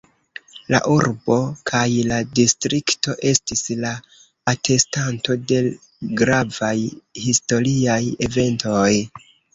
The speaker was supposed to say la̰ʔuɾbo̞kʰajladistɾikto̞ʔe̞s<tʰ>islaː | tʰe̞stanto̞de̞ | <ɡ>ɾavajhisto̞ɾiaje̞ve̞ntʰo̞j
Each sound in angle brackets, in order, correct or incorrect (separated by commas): incorrect, correct